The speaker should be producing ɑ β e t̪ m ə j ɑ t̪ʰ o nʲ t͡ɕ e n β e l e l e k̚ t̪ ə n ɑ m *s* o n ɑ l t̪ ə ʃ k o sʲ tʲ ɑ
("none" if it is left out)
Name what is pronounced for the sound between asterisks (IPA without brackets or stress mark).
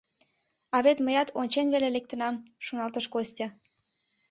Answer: ʃ